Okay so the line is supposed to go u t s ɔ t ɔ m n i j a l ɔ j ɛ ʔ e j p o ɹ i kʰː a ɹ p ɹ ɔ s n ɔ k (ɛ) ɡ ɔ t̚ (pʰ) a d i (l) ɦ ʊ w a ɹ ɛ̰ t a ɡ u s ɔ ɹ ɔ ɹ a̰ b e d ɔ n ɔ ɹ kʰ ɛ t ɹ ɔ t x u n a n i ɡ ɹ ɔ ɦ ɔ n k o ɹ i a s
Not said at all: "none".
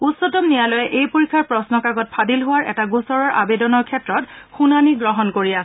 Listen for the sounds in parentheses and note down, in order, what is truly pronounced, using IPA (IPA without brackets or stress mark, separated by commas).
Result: a, pʰ, l